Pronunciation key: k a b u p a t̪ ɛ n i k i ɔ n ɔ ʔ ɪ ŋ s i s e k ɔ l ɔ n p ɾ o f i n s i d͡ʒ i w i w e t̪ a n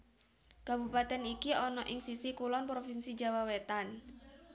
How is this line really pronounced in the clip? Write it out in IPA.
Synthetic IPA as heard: k a b u p a t̪ ɛ n i k i ɔ n ɔ ʔ ɪ ŋ s i s i k u l ɔ n p ɾ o f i n s i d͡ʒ a w a w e t̪ a n